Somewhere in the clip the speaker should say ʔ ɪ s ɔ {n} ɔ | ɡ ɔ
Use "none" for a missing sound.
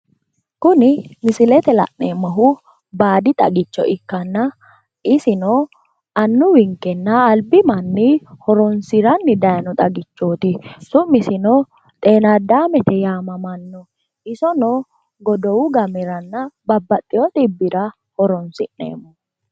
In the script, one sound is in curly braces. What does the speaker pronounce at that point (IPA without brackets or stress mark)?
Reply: n